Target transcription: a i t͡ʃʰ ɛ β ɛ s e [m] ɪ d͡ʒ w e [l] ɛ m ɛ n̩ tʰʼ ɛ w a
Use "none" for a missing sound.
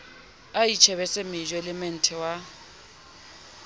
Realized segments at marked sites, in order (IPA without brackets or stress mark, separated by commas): m, l